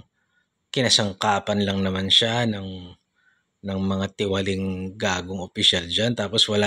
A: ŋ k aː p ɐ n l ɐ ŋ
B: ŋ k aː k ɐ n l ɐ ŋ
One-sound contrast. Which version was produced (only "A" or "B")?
A